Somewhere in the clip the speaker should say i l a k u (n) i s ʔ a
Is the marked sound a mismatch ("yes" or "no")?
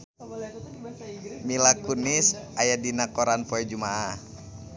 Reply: no